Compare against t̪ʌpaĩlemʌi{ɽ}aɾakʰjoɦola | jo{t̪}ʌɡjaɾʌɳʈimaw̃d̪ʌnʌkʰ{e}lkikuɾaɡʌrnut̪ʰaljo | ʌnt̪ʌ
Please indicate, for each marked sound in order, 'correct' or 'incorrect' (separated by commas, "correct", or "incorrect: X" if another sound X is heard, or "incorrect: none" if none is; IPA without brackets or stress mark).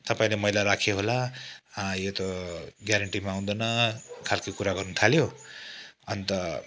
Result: incorrect: l, correct, incorrect: a